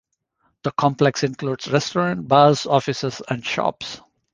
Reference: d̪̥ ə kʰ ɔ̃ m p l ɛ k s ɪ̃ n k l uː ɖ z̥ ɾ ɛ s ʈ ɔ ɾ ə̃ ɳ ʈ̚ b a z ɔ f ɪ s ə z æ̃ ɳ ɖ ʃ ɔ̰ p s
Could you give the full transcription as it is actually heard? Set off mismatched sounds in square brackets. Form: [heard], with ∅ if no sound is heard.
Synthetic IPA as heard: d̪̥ ə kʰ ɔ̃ m p l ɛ k s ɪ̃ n k l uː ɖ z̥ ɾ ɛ s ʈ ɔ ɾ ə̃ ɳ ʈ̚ b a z ɔ f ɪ s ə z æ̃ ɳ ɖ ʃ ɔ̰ p s